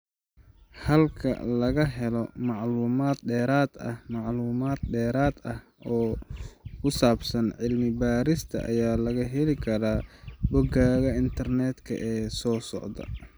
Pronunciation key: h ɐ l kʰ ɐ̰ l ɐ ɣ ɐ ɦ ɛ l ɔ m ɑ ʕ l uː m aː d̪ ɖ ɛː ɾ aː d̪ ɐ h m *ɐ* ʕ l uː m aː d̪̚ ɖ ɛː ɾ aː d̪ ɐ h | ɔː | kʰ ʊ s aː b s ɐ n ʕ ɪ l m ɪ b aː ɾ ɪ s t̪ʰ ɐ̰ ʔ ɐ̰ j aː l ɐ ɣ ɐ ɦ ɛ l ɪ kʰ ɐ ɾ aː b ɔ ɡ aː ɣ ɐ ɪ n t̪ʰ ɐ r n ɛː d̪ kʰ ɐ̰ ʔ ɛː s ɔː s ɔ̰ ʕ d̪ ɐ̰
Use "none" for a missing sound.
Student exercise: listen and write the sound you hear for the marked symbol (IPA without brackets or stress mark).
ɑ